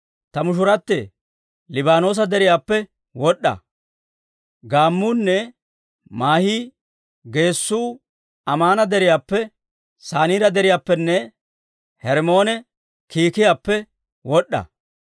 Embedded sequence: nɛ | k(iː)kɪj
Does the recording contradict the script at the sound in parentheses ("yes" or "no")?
no